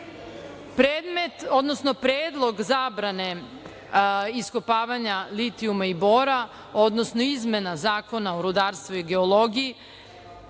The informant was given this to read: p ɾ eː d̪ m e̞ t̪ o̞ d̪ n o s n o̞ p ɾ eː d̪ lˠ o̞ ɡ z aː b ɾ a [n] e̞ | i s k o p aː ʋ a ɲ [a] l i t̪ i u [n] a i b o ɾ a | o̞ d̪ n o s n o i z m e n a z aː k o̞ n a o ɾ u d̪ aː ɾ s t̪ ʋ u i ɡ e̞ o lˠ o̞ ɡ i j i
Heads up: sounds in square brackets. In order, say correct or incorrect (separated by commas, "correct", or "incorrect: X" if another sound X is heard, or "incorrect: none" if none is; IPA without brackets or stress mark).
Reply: correct, correct, incorrect: m